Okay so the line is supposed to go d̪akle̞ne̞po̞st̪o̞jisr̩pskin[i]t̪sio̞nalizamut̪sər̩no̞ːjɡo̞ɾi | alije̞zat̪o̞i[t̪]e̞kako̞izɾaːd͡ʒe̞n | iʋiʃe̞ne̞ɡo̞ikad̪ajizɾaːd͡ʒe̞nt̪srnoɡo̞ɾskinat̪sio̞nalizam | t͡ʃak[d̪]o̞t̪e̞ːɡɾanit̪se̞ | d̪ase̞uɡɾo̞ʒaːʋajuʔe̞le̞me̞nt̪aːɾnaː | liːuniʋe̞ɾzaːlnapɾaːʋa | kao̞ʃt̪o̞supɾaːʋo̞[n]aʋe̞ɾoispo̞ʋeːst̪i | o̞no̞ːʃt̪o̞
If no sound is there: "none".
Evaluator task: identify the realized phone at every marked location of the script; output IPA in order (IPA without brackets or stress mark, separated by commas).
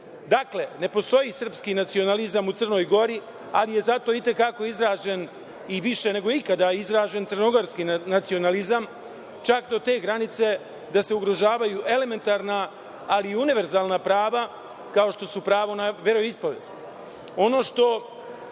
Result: a, t̪, d̪, n